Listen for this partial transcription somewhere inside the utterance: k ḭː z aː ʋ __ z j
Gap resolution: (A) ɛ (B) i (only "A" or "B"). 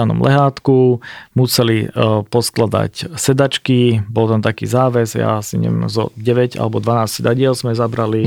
A